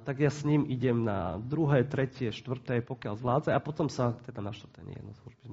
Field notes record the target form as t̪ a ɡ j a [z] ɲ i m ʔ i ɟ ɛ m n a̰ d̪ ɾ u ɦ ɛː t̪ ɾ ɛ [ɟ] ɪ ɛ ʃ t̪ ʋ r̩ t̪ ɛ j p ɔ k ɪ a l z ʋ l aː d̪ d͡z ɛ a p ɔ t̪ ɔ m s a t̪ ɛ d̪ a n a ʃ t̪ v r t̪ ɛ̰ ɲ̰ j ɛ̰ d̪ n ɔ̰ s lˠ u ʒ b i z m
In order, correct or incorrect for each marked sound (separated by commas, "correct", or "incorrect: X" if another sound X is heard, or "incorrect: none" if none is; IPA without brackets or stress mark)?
incorrect: s, incorrect: c